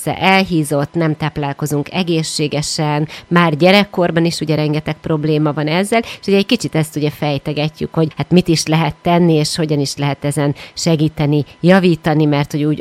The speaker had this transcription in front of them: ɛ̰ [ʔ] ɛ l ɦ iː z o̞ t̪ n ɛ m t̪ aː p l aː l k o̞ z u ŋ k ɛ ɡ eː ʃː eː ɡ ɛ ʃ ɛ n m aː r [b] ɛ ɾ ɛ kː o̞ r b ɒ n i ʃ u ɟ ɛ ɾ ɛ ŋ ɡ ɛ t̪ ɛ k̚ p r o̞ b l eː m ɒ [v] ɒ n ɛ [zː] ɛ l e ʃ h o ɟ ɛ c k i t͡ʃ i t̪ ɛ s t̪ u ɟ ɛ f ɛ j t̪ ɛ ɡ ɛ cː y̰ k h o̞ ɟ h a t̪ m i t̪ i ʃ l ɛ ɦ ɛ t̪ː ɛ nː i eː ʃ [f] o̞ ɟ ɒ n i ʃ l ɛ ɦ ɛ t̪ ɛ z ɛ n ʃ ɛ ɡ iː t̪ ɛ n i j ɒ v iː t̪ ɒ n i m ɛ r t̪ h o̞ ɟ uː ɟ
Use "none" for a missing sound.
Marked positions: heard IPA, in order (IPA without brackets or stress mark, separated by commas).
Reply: ʔ, ɟ, v, zː, h